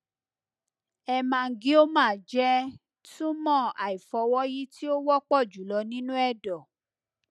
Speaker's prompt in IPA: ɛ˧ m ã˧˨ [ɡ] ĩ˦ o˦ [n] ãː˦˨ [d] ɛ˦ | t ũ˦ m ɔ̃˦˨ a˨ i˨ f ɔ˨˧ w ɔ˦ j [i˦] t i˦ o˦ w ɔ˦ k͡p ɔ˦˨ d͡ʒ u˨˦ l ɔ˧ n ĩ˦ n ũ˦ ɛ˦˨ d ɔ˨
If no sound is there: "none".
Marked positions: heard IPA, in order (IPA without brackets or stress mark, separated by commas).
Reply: ɡ, m, d͡ʒ, i˦